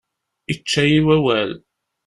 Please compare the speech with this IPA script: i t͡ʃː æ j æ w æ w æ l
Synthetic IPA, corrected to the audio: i t͡ʃː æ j i w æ w æ l